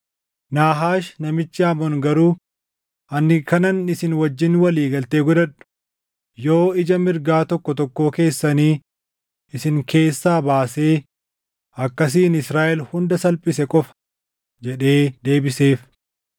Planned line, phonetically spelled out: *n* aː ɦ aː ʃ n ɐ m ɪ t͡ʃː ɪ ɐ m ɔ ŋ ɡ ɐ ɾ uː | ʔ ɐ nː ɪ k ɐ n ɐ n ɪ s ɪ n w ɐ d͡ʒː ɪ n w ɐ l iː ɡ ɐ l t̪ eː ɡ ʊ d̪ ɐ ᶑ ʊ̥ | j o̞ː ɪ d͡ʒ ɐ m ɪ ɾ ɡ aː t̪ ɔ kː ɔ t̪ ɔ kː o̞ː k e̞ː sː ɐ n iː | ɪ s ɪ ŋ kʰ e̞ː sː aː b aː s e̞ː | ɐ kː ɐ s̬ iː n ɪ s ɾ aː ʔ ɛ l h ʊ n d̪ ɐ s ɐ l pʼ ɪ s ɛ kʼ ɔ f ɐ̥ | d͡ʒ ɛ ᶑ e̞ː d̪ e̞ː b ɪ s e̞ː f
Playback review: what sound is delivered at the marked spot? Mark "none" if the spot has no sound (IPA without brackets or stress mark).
n